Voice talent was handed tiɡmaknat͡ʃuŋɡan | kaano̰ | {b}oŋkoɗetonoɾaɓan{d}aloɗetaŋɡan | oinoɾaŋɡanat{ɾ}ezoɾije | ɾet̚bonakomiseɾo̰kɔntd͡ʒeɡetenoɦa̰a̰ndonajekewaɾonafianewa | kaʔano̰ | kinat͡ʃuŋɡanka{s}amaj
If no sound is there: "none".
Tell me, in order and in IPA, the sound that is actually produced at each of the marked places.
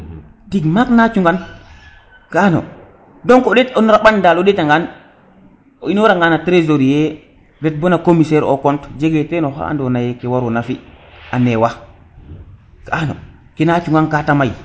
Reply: d, d, ɾ, t

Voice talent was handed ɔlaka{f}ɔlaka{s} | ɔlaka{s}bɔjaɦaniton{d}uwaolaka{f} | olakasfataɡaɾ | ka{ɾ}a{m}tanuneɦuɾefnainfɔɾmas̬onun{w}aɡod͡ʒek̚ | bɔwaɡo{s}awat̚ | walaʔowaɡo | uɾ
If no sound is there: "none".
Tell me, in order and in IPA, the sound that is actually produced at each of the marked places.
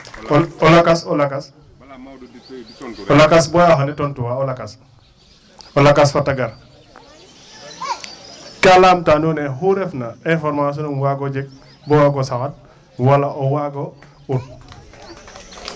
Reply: s, s, s, t, s, l, m, w, s

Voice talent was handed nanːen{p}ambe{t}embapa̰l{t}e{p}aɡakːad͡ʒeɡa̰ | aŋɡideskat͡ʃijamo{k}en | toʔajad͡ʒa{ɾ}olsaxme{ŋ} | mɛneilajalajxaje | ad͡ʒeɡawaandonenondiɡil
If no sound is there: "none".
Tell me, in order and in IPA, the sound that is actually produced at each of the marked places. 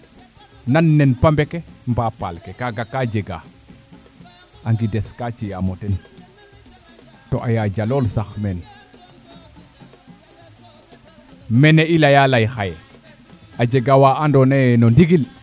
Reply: p, k, k, k, t, l, n

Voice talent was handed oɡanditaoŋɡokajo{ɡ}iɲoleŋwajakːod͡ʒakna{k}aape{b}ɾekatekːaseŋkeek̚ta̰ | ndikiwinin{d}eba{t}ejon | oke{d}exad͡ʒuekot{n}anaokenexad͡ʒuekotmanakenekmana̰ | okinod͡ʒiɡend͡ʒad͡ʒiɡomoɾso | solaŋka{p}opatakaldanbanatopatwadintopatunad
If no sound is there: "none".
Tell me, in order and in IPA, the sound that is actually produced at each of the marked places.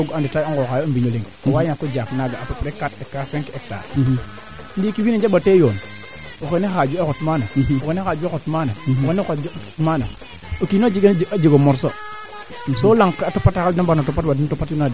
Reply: b, ɡ, p, d͡ʒ, t, n, m, t

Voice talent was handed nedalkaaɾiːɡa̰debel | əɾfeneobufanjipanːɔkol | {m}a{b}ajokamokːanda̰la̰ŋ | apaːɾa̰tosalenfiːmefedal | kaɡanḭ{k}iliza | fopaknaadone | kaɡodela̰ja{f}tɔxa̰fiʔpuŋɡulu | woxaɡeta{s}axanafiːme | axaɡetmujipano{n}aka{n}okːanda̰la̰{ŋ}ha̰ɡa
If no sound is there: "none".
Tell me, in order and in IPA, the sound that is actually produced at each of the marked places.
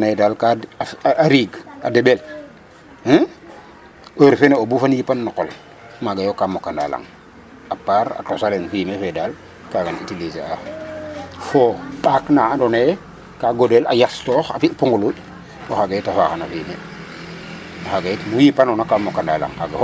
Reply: m, ɡ, t, s, f, n, m, ŋ

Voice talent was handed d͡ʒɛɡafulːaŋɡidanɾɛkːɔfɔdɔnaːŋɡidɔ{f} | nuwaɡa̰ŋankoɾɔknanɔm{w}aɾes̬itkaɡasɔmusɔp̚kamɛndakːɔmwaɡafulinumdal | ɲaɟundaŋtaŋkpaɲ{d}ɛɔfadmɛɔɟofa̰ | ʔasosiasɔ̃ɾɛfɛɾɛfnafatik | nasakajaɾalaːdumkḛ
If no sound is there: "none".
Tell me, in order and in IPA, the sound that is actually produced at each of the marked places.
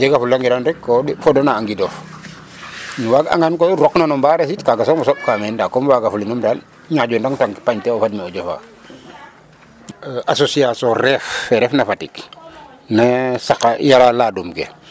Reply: f, b, t

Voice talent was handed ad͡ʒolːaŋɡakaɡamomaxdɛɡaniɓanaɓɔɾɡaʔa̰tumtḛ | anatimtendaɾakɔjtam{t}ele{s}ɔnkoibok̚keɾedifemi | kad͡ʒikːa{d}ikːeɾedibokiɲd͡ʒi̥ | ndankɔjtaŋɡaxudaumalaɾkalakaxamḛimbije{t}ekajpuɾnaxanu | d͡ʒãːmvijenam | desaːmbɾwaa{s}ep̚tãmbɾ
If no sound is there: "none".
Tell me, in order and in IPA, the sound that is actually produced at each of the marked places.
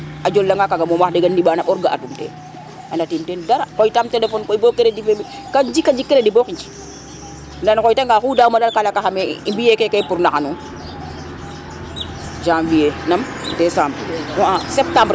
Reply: t, f, d͡ʒ, k, s

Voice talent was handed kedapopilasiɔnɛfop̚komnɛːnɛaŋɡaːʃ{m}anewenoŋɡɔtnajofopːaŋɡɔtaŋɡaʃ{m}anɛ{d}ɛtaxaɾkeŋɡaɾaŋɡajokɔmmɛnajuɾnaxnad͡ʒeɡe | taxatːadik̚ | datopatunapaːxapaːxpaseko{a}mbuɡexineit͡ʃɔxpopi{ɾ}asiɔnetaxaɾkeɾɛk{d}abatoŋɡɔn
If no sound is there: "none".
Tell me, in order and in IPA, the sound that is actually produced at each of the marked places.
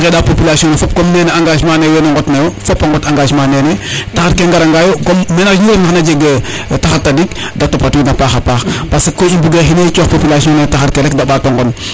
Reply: m, m, n, i, l, d

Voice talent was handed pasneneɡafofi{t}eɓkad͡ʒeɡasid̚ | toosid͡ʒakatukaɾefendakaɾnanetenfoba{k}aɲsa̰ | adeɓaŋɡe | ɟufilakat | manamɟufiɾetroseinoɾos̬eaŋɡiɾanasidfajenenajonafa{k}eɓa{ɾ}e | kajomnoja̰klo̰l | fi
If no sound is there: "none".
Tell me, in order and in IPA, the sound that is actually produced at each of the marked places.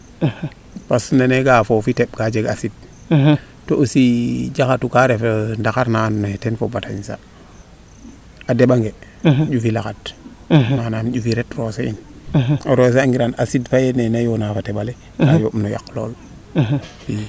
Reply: t, t, t, l

